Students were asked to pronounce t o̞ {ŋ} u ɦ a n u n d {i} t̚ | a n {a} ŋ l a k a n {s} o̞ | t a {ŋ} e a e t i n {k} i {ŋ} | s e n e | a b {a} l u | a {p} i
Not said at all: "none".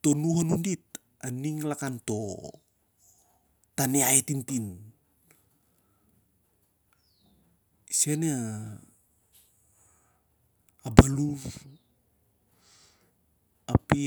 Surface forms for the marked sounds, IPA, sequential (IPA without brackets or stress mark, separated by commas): n, i, i, t, n, t, n, a, p